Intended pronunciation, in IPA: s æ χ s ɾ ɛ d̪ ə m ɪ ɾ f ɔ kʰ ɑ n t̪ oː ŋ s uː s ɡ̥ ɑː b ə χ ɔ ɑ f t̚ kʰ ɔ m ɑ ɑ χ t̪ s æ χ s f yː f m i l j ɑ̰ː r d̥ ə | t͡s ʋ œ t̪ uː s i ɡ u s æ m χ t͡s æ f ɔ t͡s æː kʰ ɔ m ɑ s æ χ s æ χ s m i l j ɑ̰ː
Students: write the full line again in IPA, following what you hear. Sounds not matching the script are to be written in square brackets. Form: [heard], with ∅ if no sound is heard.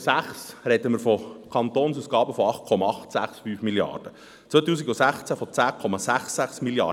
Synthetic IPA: s æ χ s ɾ ɛ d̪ ə m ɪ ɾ f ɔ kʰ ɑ n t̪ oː [n] s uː s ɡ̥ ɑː b ə [f] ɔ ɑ [χ] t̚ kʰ ɔ m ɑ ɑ χ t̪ s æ χ s f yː f m i l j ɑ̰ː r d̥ ə | t͡s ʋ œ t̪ uː s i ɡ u s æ [∅] χ t͡s æ f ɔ t͡s æː kʰ ɔ m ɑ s æ χ s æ χ s m i l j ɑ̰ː